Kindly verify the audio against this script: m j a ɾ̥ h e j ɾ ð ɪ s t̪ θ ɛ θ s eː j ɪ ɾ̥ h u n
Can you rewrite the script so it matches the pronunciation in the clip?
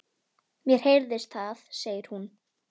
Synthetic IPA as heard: m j ɛ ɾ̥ h e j ɾ ð ɪ s t̪ θ a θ s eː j ɪ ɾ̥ h u n

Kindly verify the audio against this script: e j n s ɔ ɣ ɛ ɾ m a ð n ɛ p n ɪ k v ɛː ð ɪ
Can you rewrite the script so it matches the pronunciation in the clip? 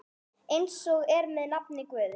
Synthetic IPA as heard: e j n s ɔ ɣ ɛ ɾ m ɛ ð n a p n ɪ k v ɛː ð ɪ

